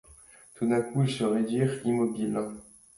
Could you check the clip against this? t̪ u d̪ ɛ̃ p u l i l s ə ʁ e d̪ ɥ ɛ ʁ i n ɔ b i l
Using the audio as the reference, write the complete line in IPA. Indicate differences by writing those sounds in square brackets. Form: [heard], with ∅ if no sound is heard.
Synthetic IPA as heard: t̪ u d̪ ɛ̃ [k] u [∅] i l s ə ʁ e d̪ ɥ [i] ʁ i [m] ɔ b i l

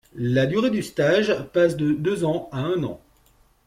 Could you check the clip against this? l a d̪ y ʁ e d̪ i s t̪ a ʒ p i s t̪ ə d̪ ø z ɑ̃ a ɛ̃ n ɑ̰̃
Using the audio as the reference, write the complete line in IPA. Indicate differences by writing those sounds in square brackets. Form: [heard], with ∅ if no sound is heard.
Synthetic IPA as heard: l a d̪ y ʁ e d̪ [y] s t̪ a ʒ p [a] s [d̪] ə d̪ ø z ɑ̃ a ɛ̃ n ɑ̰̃

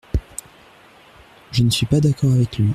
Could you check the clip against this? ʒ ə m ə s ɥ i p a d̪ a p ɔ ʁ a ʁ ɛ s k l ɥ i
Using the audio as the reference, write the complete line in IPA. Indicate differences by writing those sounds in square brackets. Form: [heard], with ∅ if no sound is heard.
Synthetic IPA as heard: ʒ ə [n] ə s ɥ i p a d̪ a [k] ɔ ʁ a [v] ɛ [∅] k l ɥ i

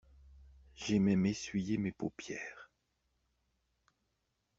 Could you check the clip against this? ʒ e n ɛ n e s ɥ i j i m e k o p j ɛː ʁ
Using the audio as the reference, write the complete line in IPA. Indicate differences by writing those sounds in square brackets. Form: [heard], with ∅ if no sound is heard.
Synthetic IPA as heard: ʒ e [m] ɛ [m] e s ɥ i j [e] m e [p] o p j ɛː ʁ

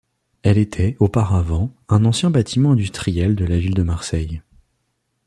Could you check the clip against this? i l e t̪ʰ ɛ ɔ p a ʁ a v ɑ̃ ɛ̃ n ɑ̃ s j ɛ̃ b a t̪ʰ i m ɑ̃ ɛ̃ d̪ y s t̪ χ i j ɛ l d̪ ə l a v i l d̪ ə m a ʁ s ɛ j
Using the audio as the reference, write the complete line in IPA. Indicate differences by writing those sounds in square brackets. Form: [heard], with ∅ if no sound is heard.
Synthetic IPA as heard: [ɛ] l e t̪ʰ ɛ [o] p a ʁ a v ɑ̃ ɛ̃ n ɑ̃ s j ɛ̃ b a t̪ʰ i m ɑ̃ ɛ̃ d̪ y s t̪ χ i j ɛ l d̪ ə l a v i l d̪ ə m a ʁ s ɛ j

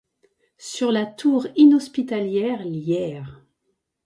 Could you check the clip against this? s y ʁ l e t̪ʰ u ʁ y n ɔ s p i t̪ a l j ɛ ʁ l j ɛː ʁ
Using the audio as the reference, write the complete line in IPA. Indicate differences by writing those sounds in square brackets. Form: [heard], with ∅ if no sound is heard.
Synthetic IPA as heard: s y ʁ l [a] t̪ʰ u ʁ [i] n ɔ s p i t̪ a l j ɛ ʁ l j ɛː ʁ

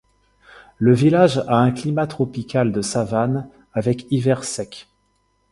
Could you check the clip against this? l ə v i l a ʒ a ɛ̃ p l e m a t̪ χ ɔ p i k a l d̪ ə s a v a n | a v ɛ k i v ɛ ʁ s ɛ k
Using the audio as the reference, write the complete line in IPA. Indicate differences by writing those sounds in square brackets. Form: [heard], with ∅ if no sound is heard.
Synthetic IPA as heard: l ə v i l a ʒ a ɛ̃ [k] l [i] m a t̪ χ ɔ p i k a l d̪ ə s a v a n | a v ɛ k i v ɛ ʁ s ɛ k

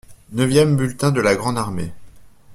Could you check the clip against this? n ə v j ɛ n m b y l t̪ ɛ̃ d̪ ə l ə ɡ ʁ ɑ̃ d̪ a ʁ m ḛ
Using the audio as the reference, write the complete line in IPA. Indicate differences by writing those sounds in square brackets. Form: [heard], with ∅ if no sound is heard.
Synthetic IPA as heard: n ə v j ɛ [∅] m b y l t̪ ɛ̃ d̪ ə l [a] ɡ ʁ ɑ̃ d̪ a ʁ m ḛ

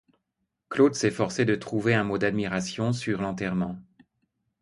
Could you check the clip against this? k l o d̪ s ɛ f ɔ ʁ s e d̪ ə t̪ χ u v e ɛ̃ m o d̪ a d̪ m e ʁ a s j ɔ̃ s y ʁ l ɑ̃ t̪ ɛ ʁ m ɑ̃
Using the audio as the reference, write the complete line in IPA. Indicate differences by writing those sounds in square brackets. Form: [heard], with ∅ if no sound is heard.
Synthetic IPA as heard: k l o d̪ s ɛ f ɔ ʁ s e d̪ ə t̪ χ u v e ɛ̃ m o d̪ a d̪ m [i] ʁ a s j ɔ̃ s y ʁ l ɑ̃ t̪ ɛ ʁ m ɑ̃

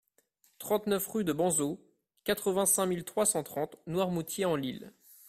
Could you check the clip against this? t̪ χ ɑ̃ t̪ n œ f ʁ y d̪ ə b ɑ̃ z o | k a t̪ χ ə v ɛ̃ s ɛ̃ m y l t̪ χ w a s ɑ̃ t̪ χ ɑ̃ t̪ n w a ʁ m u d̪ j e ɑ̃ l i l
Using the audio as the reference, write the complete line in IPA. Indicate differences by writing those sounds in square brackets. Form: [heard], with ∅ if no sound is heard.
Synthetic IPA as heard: t̪ χ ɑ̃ t̪ n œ f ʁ y d̪ ə b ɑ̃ z o | k a t̪ χ ə v ɛ̃ s ɛ̃ m [i] l t̪ χ w a s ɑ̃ t̪ χ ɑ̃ t̪ n w a ʁ m u [t̪] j e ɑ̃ l i l

